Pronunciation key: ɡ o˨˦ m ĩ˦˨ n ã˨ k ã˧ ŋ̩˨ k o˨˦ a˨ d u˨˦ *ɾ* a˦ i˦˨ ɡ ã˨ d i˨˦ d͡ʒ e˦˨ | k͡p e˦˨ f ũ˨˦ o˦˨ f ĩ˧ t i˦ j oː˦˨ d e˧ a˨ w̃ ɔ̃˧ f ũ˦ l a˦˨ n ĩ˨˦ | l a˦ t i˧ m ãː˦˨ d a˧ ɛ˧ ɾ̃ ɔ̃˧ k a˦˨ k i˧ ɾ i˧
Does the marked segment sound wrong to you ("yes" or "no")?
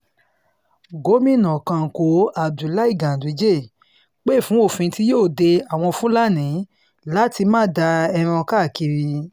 yes